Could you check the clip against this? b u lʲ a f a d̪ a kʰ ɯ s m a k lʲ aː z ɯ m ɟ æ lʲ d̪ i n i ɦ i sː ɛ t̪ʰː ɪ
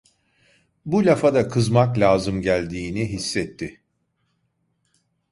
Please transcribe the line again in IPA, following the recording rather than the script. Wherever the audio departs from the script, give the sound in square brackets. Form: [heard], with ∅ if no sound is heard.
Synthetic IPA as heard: b u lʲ a f a d̪ a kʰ ɯ [z] m a k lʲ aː z ɯ m ɟ æ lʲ d̪ [iː] n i ɦ i sː ɛ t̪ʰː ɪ